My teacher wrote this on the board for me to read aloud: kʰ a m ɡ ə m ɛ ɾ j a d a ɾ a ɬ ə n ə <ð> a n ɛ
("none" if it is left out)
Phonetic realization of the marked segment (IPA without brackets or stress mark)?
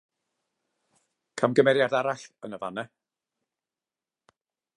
v